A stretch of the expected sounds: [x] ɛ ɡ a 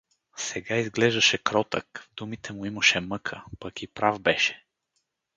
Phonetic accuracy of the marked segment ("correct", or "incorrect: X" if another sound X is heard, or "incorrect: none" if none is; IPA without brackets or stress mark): incorrect: s